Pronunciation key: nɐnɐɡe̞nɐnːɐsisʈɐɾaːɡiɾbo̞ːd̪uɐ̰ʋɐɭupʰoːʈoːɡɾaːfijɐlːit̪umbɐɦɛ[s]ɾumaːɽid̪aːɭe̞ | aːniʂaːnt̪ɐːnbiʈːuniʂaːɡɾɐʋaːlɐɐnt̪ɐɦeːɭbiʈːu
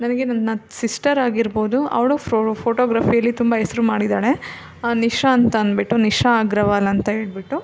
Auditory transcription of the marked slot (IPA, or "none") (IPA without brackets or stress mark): s